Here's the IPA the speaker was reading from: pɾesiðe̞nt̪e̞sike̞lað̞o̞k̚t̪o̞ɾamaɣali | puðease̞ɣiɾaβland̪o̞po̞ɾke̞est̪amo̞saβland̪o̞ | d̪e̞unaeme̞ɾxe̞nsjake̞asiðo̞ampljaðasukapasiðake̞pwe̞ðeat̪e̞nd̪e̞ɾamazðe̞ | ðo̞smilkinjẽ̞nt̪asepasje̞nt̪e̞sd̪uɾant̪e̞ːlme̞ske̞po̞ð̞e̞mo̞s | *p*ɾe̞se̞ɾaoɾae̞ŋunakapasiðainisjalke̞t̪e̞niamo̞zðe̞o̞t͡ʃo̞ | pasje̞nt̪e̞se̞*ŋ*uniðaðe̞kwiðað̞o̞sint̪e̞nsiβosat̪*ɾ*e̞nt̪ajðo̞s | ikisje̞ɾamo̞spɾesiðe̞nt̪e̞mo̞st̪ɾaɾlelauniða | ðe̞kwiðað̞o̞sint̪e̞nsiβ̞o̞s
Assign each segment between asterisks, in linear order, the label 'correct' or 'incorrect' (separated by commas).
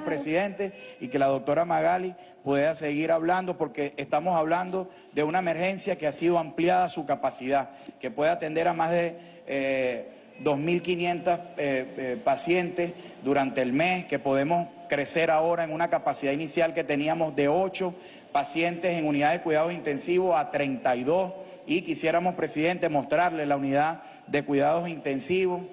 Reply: incorrect, correct, correct